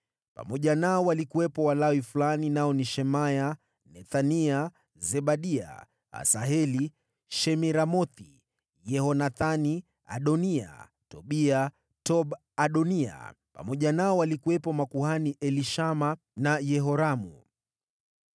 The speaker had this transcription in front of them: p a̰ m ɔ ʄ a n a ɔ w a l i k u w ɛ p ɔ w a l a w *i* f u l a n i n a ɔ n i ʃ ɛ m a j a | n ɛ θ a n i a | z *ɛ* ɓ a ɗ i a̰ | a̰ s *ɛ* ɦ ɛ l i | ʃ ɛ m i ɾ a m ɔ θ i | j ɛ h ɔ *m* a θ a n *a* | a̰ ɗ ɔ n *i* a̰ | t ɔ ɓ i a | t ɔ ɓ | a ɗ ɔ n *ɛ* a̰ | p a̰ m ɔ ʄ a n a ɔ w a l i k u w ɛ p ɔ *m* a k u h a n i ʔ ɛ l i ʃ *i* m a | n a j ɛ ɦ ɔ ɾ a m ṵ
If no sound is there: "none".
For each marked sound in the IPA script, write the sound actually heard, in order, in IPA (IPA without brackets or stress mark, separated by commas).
i, ɛ, a, n, i, i, i, m, a